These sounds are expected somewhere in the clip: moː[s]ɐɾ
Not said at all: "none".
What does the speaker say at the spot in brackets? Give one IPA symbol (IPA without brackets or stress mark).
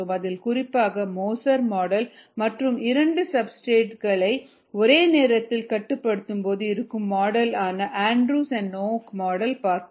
s